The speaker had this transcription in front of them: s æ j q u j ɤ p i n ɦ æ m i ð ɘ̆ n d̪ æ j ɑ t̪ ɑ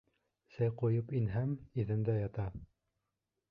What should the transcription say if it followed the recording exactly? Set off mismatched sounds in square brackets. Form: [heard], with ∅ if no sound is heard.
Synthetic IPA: s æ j q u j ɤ p i n ɦ æ m i ð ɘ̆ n d̪ æ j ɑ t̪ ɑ

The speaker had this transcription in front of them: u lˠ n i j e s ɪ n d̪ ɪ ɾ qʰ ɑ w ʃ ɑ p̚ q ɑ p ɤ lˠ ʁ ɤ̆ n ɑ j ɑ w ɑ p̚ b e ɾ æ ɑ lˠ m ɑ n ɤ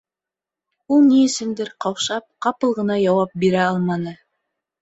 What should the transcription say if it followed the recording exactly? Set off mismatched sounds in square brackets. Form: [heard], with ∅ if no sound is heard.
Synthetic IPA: u lˠ n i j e s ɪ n d̪ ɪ ɾ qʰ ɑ w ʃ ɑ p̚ q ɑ p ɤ lˠ ʁ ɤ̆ n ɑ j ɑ w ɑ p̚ b e ɾ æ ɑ lˠ m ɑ n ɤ

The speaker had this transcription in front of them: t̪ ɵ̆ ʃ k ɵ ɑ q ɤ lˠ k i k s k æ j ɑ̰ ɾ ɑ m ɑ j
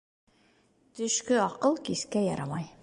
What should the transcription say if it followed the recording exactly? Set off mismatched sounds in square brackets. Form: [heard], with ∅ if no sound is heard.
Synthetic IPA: t̪ ɵ̆ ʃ k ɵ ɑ q ɤ lˠ k i [∅] s k æ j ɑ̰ ɾ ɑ m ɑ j

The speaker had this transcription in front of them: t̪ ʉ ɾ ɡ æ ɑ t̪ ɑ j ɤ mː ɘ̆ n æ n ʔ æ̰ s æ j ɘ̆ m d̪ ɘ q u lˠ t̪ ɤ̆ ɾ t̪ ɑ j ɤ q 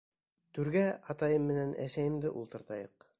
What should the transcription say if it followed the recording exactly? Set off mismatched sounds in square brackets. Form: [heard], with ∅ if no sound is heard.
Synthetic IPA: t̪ ʉ ɾ ɡ æ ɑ t̪ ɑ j ɤ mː ɘ̆ n æ n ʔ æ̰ s æ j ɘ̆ m d̪ ɘ [ʔ] u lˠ t̪ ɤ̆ ɾ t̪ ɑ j ɤ q

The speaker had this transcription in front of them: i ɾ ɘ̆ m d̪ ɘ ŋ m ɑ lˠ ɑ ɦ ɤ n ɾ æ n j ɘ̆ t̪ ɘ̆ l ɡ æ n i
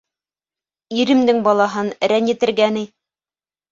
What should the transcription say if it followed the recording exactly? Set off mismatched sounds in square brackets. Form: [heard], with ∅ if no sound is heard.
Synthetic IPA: i ɾ ɘ̆ m d̪ ɘ ŋ [b] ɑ lˠ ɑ ɦ ɤ n ɾ æ n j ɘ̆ t̪ ɘ̆ [ɾ] ɡ æ n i

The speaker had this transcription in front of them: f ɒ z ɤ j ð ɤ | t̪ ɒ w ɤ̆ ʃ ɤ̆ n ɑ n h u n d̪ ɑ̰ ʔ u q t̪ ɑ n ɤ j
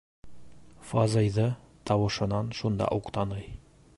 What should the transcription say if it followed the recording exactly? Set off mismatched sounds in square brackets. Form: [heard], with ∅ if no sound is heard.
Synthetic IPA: f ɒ z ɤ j ð ɤ | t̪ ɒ w ɤ̆ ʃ ɤ̆ n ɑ n [ʃ] u n d̪ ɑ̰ ʔ u q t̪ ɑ n ɤ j

